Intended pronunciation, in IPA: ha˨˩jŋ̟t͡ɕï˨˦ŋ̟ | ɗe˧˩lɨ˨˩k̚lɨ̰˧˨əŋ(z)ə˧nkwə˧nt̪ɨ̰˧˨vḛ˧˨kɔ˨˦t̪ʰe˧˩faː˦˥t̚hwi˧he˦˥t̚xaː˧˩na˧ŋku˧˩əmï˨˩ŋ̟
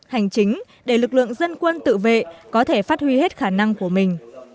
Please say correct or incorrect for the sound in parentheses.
correct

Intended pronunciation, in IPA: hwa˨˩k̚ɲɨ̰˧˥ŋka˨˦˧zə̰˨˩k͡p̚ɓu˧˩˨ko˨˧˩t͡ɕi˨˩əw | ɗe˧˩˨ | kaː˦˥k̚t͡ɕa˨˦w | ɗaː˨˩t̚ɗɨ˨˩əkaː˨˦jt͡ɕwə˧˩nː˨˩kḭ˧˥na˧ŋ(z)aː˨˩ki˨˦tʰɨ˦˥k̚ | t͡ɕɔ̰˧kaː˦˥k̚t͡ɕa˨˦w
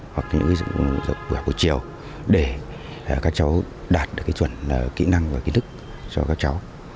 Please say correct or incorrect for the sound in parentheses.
incorrect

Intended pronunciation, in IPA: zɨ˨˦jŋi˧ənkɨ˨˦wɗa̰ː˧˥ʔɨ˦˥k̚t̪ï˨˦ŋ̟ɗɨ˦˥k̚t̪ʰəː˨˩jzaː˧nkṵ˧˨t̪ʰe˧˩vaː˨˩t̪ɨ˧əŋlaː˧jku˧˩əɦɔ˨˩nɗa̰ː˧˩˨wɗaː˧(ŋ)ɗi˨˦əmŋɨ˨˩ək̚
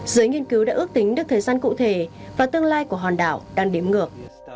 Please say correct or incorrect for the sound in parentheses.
correct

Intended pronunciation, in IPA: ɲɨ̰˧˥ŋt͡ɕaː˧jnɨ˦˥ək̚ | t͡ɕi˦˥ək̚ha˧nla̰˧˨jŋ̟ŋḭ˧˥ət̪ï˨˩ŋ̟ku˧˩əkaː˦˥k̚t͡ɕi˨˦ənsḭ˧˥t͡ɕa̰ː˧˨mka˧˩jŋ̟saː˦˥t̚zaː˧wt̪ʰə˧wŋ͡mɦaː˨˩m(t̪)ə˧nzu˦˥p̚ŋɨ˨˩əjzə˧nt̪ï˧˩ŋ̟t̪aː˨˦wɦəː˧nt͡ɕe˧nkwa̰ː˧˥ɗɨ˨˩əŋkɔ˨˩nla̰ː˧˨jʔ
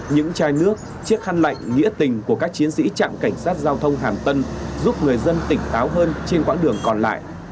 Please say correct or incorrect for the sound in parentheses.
correct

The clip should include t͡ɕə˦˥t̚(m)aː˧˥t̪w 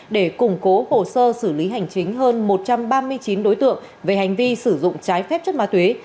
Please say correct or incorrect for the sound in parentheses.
correct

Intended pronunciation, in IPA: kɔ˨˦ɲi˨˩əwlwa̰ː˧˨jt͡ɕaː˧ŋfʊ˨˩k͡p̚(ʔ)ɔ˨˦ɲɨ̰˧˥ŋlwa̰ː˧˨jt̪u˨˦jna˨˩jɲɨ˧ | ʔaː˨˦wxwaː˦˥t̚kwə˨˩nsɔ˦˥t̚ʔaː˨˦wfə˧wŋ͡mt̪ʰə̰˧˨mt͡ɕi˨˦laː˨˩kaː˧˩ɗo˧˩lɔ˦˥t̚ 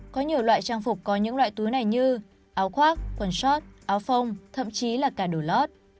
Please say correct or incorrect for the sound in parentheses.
incorrect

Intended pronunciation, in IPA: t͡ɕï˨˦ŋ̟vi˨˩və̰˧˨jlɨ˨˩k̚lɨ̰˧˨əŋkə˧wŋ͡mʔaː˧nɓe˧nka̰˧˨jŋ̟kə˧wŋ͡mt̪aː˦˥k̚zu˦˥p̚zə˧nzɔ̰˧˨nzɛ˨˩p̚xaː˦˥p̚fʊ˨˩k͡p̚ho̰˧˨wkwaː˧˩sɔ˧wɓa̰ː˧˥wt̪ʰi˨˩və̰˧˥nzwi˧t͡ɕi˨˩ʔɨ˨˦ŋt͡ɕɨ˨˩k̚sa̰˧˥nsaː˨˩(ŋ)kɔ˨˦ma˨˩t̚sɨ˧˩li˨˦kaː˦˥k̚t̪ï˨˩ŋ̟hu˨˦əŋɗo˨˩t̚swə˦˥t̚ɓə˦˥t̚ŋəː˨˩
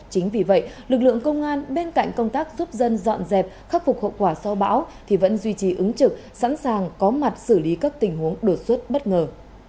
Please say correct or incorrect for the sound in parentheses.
correct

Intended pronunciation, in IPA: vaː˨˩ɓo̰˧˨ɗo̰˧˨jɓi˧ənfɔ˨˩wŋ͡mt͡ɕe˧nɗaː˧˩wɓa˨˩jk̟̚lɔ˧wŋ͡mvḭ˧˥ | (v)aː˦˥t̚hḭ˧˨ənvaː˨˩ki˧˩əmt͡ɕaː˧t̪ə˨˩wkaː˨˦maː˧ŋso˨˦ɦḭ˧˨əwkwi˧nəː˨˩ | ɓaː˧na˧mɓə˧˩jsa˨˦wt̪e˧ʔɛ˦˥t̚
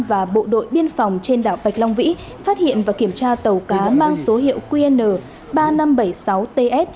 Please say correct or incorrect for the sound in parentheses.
incorrect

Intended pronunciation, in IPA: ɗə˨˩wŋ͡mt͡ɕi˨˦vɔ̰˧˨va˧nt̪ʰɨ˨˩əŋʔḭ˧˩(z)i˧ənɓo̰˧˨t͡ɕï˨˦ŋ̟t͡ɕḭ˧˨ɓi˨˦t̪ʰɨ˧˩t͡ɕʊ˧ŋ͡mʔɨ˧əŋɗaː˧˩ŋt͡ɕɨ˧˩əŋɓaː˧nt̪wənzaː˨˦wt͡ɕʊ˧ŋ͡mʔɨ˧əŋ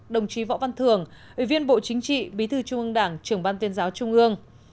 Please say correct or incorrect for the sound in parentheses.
incorrect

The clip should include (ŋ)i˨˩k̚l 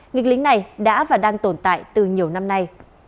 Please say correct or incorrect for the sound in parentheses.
correct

